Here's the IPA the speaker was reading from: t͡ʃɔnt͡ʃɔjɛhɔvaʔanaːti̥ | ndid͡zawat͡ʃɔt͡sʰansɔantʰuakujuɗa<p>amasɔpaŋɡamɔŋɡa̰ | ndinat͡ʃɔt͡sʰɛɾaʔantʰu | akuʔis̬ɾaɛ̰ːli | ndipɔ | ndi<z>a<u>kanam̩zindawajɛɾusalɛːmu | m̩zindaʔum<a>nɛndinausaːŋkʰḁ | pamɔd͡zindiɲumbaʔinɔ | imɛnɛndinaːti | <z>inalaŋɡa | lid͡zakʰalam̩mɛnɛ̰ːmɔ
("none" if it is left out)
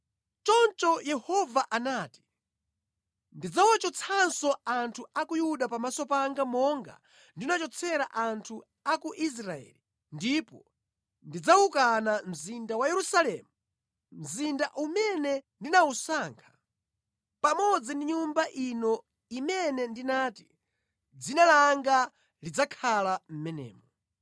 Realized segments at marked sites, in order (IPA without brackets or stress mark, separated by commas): p, d͡z, u, ɛ, d͡z